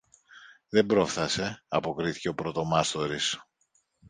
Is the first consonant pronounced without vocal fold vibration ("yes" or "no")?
no